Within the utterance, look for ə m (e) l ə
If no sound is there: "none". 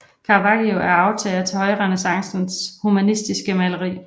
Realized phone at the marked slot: æ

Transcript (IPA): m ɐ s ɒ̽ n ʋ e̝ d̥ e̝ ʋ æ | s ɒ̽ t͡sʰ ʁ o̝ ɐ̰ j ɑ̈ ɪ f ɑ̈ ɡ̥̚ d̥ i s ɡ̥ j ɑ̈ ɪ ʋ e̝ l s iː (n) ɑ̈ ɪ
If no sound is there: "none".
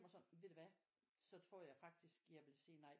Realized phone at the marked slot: n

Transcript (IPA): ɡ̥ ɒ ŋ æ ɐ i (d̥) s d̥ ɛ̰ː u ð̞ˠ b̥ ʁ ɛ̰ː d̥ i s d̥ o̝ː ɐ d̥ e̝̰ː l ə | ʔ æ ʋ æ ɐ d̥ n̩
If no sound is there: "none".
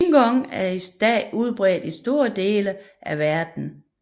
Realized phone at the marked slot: none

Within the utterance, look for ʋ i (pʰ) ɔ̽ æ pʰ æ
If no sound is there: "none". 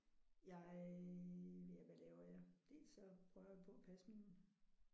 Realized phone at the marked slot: pʰ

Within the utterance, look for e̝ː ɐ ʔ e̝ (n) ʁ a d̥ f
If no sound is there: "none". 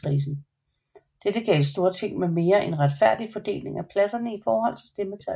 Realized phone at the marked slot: n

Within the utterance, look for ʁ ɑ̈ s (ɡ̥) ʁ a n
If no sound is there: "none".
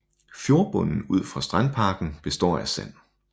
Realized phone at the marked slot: d̥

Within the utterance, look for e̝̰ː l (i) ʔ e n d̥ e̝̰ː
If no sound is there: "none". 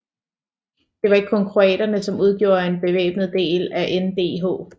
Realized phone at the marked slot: æ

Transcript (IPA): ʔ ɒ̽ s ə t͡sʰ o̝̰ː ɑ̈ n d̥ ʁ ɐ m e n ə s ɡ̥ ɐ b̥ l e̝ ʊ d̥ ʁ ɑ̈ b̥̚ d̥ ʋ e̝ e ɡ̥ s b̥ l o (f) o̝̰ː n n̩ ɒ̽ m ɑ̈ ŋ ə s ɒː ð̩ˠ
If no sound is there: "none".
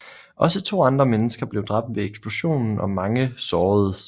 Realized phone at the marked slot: ɕ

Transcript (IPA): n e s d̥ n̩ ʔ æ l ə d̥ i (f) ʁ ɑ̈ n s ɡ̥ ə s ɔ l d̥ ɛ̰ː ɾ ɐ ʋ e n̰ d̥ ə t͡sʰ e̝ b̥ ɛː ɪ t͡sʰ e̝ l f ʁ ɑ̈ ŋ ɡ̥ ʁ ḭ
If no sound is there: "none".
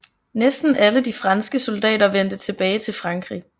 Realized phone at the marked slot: f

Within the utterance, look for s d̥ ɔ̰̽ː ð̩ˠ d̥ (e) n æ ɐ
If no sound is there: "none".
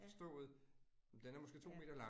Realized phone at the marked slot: e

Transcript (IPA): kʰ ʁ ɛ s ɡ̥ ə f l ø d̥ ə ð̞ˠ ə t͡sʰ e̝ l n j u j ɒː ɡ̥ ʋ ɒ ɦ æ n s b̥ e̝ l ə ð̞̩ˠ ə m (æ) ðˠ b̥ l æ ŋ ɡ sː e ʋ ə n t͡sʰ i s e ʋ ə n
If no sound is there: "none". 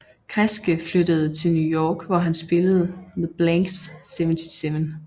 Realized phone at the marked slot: e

